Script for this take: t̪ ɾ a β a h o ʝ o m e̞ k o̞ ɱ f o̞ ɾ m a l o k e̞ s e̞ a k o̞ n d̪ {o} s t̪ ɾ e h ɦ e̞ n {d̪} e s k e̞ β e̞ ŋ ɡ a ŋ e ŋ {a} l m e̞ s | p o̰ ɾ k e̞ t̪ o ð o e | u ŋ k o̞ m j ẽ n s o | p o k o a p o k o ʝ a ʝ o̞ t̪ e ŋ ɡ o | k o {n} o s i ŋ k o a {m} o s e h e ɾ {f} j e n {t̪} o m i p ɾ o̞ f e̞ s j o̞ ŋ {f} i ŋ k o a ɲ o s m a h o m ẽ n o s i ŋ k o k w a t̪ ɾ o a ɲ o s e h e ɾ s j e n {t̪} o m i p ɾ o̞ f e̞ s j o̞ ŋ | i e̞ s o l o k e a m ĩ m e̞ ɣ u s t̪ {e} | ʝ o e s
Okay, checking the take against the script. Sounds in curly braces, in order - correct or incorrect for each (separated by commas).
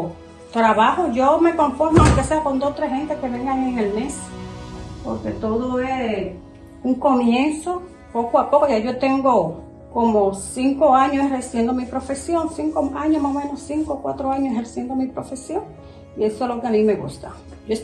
correct, incorrect, incorrect, incorrect, incorrect, incorrect, incorrect, incorrect, incorrect, incorrect